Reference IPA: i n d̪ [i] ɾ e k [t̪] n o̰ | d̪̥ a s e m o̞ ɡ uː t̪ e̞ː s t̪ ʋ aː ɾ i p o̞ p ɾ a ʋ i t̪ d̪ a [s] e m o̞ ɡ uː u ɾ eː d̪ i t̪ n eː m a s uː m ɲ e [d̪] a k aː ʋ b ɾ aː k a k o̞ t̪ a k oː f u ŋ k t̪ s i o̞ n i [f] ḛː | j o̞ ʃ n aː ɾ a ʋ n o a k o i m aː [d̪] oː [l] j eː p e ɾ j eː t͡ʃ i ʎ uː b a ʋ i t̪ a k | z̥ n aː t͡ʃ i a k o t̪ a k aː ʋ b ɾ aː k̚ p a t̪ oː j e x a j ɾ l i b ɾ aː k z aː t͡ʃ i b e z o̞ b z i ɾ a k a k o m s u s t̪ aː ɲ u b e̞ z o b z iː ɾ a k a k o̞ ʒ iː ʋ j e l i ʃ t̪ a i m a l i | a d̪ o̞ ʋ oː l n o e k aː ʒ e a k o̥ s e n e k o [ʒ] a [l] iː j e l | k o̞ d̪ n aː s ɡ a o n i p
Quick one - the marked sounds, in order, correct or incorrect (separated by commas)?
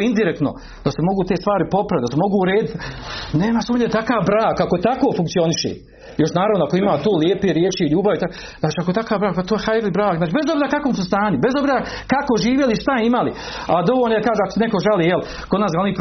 correct, correct, correct, incorrect, incorrect, incorrect, correct, correct, correct